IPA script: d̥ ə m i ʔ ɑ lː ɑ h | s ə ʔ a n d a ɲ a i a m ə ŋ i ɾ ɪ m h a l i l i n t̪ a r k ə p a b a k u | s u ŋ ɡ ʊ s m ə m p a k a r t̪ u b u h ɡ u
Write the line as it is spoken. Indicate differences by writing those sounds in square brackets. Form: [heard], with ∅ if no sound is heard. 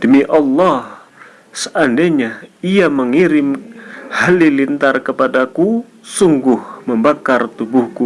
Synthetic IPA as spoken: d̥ ə m i ʔ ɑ lː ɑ h | s ə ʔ a n d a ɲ a i a m ə ŋ i ɾ ɪ m h a l i l i n t̪ a r k ə p a [d] a k u | s u ŋ ɡ ʊ [h] m ə m [b] a k a r t̪ u b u h [k] u